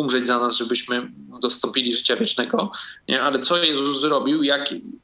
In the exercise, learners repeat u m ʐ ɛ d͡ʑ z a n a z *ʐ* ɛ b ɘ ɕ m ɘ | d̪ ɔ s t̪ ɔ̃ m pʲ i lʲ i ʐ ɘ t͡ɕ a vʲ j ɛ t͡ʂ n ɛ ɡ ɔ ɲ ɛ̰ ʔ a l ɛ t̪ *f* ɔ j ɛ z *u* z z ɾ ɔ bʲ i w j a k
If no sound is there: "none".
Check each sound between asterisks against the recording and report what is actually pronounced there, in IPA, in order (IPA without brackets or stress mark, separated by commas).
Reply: ʐ, s, u